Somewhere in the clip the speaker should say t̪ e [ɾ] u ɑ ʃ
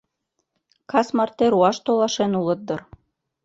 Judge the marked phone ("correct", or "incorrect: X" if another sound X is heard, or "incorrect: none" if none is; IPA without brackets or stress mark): correct